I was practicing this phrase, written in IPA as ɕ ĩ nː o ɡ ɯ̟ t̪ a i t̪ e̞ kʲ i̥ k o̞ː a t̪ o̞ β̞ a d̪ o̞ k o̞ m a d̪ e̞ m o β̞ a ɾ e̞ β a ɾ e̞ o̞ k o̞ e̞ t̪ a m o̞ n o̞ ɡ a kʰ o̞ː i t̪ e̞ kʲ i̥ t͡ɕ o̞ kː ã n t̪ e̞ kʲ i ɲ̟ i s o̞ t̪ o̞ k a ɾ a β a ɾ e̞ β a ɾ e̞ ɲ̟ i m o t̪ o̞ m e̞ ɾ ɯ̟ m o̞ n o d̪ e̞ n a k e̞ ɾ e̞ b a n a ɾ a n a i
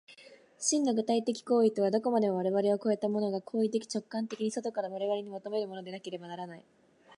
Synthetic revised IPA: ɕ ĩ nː o ɡ ɯ̟ t̪ a i t̪ e̞ kʲ i̥ k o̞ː i t̪ o̞ β̞ a d̪ o̞ k o̞ m a d̪ e̞ m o β̞ a ɾ e̞ β a ɾ e̞ o̞ k o̞ e̞ t̪ a m o̞ n o̞ ɡ a kʰ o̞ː i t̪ e̞ kʲ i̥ t͡ɕ o̞ kː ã n t̪ e̞ kʲ i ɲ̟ i s o̞ t̪ o̞ k a ɾ a β a ɾ e̞ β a ɾ e̞ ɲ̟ i m o t̪ o̞ m e̞ ɾ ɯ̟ m o̞ n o d̪ e̞ n a k e̞ ɾ e̞ b a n a ɾ a n a i